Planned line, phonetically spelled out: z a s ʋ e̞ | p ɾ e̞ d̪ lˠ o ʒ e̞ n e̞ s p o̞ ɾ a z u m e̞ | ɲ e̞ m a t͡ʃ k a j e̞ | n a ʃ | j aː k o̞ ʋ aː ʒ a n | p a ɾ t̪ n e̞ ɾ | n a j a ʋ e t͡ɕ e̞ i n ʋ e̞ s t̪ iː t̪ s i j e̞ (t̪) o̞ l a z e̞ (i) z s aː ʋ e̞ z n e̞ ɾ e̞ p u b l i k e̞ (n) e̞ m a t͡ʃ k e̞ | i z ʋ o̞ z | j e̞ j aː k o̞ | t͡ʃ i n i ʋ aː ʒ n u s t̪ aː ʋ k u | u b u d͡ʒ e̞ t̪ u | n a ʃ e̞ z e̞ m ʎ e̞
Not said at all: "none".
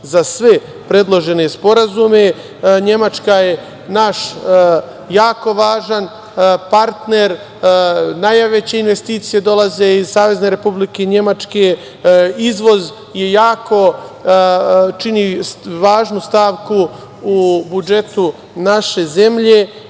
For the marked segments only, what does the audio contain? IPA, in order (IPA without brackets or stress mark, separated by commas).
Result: d̪, i, ɲ